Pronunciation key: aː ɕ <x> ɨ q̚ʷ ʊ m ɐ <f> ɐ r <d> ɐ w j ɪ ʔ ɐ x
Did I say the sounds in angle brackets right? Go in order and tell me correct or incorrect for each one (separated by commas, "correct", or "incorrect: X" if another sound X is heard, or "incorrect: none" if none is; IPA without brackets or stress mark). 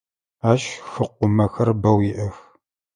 correct, incorrect: x, incorrect: b